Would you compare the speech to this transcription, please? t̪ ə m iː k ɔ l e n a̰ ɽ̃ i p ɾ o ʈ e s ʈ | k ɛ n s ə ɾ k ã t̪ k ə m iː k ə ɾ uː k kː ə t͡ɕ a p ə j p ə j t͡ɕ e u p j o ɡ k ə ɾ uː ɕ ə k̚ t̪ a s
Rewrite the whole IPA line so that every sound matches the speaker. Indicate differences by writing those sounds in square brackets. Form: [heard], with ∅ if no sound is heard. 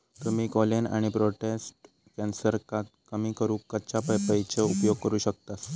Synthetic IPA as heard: t̪ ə m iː k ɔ l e n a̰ ɽ̃ i p ɾ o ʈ e s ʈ | k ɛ n s ə ɾ k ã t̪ k ə m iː k ə ɾ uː k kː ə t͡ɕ a p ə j p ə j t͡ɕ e u p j o ɡ k ə ɾ uː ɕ ə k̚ t̪ a s